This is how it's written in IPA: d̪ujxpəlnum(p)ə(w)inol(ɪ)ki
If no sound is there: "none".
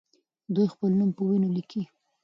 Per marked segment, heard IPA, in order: p, w, i

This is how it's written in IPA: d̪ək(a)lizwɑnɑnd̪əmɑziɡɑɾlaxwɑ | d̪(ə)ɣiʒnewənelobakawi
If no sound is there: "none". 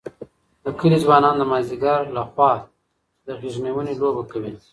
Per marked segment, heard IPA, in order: ə, ə

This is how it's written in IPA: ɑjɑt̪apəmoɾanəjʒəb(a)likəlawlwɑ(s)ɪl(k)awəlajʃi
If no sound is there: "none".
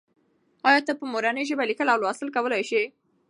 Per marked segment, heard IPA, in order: a, s, k

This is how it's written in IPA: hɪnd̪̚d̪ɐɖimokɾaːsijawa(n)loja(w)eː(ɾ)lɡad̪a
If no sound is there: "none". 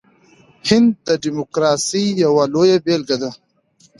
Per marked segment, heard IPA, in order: none, b, none

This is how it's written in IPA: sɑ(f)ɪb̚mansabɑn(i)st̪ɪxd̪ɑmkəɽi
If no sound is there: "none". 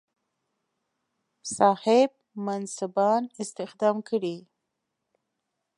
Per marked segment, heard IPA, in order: h, ɪ

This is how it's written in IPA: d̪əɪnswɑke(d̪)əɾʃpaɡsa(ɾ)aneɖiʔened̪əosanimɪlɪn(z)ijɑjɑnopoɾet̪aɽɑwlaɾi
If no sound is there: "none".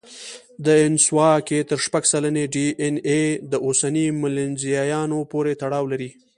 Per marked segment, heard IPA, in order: t̪, l, z

